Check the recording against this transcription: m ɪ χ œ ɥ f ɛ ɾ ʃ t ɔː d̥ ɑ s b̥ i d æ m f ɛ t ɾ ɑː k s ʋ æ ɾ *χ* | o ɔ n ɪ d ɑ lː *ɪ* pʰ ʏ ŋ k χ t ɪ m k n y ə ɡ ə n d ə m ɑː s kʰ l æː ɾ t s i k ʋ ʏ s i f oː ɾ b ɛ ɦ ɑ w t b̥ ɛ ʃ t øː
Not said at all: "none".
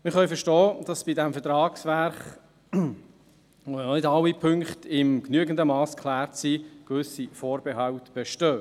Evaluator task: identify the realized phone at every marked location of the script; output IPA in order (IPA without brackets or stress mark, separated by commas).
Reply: χ, i